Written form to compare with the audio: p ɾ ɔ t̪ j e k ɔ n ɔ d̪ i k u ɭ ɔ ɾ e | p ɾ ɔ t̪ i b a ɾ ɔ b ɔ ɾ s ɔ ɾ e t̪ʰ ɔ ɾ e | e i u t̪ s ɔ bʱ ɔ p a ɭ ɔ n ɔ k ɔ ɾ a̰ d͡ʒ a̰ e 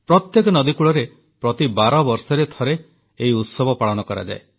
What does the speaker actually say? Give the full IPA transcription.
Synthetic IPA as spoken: p ɾ ɔ t̪ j e k ɔ n ɔ d̪ i k u ɭ ɔ ɾ e | p ɾ ɔ t̪ i b a ɾ ɔ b ɔ ɾ s ɔ ɾ e t̪ʰ ɔ ɾ e | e i u t̪ s ɔ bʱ ɔ p a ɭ ɔ n ɔ k ɔ ɾ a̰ d͡ʒ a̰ e